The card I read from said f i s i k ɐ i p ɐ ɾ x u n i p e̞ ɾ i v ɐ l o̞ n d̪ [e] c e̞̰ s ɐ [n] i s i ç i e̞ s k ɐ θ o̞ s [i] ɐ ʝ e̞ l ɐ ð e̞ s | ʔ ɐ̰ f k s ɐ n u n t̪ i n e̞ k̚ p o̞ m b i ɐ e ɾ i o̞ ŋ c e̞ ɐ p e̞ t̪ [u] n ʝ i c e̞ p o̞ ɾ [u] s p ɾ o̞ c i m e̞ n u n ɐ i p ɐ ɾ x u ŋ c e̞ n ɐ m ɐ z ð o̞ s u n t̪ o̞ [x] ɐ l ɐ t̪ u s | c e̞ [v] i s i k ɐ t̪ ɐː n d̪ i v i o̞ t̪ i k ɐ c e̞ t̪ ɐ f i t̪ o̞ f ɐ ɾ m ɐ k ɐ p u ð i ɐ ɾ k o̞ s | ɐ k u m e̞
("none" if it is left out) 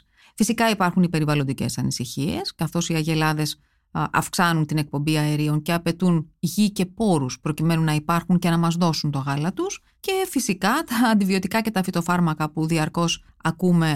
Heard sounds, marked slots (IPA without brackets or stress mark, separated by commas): i, n, i, u, u, ɣ, f